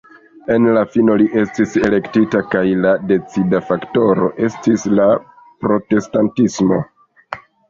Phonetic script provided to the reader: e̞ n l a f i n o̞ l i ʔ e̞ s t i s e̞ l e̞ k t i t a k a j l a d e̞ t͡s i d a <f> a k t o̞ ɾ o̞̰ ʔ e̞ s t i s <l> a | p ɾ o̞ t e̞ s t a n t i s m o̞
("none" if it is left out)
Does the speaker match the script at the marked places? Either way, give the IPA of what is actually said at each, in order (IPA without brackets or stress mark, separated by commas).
f, l